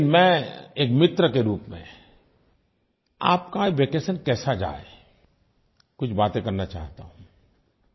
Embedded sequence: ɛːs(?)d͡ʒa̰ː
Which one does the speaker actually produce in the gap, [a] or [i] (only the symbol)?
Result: a